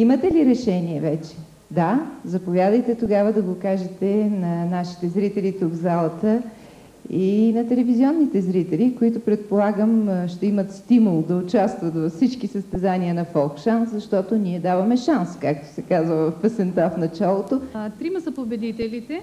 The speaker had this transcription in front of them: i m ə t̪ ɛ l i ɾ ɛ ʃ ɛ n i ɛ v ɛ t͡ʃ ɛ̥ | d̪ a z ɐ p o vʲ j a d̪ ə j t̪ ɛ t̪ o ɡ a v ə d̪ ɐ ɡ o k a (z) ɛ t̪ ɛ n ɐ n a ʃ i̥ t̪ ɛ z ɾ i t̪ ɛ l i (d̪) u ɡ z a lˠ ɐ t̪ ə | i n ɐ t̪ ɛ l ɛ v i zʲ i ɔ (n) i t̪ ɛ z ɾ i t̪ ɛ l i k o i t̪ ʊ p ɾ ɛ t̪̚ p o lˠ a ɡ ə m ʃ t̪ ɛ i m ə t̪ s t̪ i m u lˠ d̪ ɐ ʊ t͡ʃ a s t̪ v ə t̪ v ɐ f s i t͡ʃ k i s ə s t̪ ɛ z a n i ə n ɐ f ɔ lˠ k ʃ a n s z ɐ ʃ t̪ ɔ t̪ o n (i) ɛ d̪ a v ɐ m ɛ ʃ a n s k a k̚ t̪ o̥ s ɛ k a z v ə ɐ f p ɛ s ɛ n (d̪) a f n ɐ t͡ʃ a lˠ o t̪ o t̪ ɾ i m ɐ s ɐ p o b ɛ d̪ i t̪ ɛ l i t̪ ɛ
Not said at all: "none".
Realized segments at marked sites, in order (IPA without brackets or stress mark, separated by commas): ʒ, t̪, nː, i, t̪